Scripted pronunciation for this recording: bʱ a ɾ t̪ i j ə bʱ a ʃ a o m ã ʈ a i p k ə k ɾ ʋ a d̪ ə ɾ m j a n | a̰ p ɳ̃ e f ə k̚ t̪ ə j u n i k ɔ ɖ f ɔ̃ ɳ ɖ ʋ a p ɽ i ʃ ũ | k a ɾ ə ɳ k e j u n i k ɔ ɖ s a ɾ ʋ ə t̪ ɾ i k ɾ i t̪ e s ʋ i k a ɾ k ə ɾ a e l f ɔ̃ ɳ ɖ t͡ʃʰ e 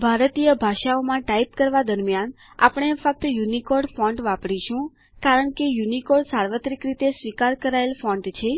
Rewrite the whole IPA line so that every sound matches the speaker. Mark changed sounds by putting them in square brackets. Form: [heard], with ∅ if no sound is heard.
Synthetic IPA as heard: bʱ a ɾ t̪ i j ə bʱ a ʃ a o m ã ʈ a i p k ə [∅] ɾ ʋ a d̪ ə ɾ m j a n | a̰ p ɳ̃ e f ə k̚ t̪ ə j u n i k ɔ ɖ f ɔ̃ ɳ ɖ ʋ a p ɽ i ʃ ũ | k a ɾ ə ɳ k e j u n i k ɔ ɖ s a ɾ ʋ ə t̪ ɾ i k ɾ i t̪ e s ʋ i k a ɾ k ə ɾ a e l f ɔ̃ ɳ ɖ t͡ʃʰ e

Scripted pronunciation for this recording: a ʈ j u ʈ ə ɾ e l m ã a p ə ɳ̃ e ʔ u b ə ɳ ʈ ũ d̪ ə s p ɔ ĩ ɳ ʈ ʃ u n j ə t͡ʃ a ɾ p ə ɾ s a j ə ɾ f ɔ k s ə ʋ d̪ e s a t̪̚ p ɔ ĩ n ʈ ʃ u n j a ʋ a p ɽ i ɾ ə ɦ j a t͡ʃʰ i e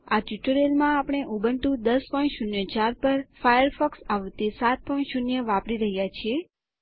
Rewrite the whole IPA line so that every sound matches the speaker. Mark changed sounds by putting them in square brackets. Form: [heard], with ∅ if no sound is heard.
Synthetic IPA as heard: a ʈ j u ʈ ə ɾ e l m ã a p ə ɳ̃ e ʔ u b ə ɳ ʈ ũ d̪ ə s p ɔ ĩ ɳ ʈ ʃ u n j ə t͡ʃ a ɾ p ə ɾ [f] a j ə ɾ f ɔ k s [a] ʋ [t̪] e s a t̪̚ p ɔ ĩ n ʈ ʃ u n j [ə] ʋ a p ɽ i ɾ ə ɦ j a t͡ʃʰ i e

